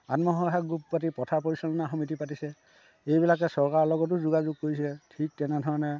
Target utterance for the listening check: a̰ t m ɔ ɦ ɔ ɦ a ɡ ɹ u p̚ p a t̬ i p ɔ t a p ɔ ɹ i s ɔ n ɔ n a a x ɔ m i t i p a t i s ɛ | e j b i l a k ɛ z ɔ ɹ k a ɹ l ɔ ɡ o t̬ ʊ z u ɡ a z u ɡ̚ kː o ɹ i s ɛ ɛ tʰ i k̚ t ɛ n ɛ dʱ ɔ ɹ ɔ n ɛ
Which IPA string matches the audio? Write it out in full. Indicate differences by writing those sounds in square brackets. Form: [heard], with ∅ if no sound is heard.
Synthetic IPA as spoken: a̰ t m ɔ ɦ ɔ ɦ a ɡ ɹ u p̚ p a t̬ i p ɔ [tʰ] a p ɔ ɹ i s ɔ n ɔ n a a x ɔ m i t i p a t i s ɛ | e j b i l a k ɛ [s] ɔ ɹ k a ɹ l ɔ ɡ [ɔ] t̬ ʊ z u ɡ a z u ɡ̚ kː o ɹ i s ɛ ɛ tʰ i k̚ t ɛ n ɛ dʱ ɔ ɹ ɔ n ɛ